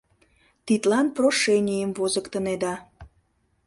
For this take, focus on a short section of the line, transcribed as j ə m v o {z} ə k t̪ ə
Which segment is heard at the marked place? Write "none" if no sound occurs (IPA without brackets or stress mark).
z